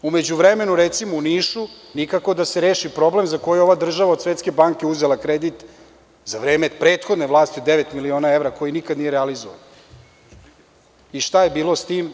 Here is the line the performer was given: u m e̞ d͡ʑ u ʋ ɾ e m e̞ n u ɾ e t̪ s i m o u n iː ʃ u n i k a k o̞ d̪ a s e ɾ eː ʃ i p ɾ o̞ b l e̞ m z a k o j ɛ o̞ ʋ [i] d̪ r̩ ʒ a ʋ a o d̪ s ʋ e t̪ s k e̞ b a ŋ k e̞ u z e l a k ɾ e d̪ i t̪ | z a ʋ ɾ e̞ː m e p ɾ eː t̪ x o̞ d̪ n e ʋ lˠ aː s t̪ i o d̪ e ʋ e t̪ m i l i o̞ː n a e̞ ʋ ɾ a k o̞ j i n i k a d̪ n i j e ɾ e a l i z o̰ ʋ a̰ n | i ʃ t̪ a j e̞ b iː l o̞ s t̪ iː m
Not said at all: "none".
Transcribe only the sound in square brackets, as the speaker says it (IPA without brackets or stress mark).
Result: a